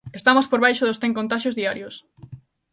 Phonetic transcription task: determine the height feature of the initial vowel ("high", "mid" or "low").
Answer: mid